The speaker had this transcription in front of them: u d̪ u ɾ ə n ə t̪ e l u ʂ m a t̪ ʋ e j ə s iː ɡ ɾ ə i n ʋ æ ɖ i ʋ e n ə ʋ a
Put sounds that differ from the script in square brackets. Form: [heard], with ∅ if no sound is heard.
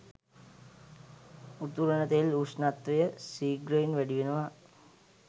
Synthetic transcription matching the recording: u [t̪] u ɾ ə n ə t̪ e l u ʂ [n] a t̪ ʋ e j ə s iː ɡ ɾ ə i n ʋ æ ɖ i ʋ e n ə ʋ a